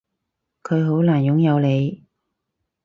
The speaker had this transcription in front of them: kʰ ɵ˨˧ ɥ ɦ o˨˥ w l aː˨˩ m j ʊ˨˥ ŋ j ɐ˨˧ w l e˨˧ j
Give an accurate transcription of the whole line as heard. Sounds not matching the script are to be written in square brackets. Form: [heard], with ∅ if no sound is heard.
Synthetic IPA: kʰ ɵ˨˧ ɥ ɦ o˨˥ w l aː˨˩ [n] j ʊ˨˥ ŋ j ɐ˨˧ w l e˨˧ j